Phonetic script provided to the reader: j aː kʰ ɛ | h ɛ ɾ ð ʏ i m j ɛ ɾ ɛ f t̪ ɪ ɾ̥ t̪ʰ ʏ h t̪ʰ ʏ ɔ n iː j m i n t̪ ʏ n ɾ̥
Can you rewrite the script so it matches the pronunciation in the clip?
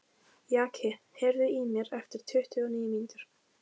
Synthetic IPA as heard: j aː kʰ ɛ | h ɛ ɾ ð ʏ i m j ɛ ɾ ɛ f t̪ ɪ ɾ̥ t̪ʰ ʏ h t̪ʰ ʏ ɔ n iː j m i n t̪ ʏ ɾ̥